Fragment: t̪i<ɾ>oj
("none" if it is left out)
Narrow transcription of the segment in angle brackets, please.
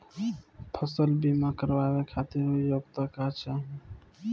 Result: ɾ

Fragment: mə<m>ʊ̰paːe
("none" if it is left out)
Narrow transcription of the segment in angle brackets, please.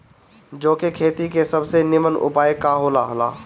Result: n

